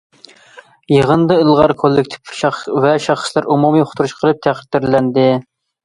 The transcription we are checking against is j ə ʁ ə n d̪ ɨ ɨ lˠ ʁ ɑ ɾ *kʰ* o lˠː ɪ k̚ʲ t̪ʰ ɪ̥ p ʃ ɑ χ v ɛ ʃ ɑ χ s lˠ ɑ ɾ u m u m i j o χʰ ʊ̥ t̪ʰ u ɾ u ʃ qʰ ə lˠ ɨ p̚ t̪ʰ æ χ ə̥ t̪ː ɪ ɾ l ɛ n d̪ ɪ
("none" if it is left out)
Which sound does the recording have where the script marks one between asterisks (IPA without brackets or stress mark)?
kʰ